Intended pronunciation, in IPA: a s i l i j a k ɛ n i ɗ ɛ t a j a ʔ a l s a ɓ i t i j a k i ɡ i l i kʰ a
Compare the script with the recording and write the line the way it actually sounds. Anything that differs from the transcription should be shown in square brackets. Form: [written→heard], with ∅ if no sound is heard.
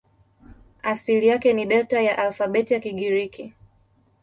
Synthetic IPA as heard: a s i l i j a k ɛ n i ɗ ɛ t a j a ʔ a l [s→f] a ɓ [i→ɛ] t i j a k i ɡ i [l→ɾ] i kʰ [a→i]